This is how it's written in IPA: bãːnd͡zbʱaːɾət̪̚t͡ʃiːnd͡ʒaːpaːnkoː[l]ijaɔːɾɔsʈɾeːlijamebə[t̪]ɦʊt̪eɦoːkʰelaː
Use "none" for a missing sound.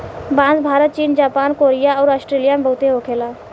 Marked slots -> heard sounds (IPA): ɾ, none

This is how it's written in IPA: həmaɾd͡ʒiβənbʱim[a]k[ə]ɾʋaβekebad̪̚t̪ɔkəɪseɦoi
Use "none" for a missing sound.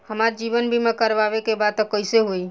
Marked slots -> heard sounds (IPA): e, ə

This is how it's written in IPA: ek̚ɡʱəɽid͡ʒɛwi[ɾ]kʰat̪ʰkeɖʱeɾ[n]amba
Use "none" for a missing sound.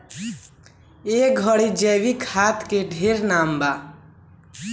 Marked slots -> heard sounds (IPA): none, n

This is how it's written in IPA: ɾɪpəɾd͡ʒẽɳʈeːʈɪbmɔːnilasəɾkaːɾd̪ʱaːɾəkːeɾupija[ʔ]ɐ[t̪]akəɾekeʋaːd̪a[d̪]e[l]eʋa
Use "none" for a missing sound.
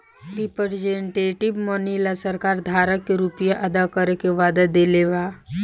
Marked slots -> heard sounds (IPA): ʔ, d̪, d̪, l

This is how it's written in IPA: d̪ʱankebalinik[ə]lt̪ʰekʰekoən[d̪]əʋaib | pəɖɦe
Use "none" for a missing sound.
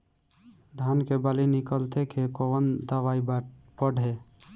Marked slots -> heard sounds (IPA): ə, d̪

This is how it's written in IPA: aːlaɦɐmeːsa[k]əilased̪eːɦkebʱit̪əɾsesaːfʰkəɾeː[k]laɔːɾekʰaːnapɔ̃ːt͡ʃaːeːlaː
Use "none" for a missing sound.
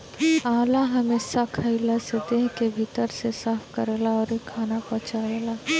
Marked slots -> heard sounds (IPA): kʰ, none

